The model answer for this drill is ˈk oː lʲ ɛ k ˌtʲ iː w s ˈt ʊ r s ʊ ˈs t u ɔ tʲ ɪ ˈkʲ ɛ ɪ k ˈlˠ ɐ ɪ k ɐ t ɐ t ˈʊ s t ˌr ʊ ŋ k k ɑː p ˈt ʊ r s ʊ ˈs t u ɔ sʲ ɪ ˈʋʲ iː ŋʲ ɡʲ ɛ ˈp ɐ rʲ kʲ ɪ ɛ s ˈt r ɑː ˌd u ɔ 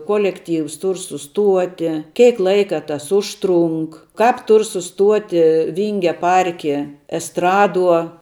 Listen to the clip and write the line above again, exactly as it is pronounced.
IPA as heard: ˈk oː lʲ ɛ k ˌtʲ iː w s ˈt ʊ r s ʊ ˈs t u ɔ tʲ ɪ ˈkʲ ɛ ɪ k ˈlˠ ɐ ɪ k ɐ t ɐ s ˈʊ ʃ t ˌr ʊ ŋ k k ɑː p ˈt ʊ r s ʊ ˈs t u ɔ tʲ ɪ ˈʋʲ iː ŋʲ ɡʲ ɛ ˈp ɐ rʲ kʲ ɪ ɛ s ˈt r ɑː ˌd u ɔ